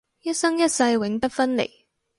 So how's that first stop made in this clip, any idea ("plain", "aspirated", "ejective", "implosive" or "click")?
plain